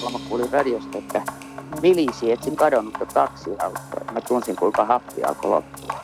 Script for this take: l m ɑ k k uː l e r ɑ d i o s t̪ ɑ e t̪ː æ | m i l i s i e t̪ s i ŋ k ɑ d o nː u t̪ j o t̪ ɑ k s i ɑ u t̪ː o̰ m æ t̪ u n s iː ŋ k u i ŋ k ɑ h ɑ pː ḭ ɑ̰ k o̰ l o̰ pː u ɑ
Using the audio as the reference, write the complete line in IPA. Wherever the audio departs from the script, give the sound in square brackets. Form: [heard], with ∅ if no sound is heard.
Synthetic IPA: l m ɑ k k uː l [i] r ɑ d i o s t̪ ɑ e t̪ː æ | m i l i s i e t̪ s i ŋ k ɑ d o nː u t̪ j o t̪ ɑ k s i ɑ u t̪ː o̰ m æ t̪ u n s [i] ŋ k u i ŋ k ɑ h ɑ pː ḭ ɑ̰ k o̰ l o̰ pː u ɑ